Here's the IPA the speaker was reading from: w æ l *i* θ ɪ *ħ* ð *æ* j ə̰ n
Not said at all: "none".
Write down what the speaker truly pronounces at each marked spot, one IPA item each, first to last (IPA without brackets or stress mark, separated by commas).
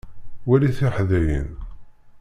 i, ħ, æ